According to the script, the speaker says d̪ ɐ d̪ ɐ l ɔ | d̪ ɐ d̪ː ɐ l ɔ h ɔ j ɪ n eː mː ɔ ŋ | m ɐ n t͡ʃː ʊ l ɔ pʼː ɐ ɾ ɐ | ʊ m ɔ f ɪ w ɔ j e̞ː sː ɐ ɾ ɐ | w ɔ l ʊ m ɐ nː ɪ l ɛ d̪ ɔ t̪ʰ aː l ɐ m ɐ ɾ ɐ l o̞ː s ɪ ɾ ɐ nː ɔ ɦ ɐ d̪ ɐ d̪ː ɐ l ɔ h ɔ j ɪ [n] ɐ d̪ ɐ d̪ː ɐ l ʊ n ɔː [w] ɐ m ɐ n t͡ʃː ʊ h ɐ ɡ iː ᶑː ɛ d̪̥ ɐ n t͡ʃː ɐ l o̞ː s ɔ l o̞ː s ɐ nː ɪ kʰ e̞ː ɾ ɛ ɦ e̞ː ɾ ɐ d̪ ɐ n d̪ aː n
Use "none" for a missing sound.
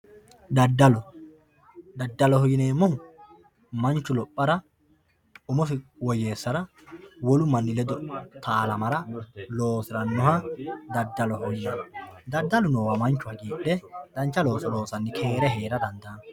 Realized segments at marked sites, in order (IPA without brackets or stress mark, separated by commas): n, w